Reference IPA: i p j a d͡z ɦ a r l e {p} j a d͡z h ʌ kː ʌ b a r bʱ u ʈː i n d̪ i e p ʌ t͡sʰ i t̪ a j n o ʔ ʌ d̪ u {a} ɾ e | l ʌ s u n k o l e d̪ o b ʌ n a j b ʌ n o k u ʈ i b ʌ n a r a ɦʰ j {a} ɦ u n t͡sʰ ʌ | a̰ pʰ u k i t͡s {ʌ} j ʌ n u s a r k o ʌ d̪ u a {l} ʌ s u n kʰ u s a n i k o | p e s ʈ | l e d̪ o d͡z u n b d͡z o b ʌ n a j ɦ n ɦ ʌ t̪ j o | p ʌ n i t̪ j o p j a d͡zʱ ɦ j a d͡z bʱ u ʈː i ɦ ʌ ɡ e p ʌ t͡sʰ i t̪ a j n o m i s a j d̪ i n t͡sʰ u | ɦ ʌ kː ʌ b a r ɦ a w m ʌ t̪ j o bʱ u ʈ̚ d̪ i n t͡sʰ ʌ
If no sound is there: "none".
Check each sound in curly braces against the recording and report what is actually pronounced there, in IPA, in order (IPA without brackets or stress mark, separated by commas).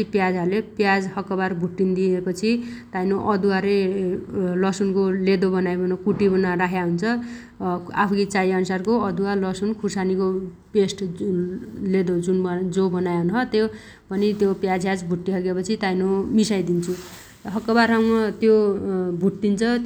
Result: p, a, a, a, l